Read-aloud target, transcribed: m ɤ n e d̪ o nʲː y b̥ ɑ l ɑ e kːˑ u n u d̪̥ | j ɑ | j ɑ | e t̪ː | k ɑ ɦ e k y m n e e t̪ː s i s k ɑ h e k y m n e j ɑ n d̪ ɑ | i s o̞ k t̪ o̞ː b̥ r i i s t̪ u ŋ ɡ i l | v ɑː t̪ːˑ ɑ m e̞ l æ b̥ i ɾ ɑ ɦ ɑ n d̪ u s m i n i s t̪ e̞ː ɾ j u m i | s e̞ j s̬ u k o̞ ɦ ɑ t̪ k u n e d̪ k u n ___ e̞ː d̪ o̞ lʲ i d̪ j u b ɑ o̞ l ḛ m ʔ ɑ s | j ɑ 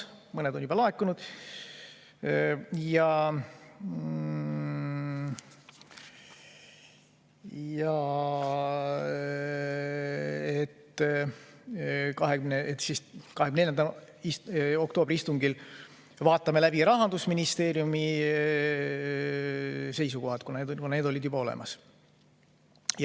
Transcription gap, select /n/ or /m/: n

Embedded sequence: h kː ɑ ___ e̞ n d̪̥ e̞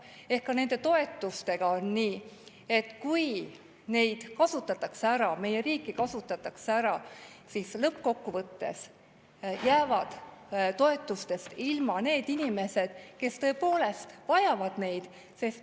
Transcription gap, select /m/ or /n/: n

